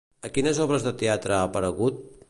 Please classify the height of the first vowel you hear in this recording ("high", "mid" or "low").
mid